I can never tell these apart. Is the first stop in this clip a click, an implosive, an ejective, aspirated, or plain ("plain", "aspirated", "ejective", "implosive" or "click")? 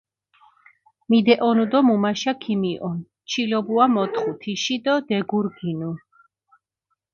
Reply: plain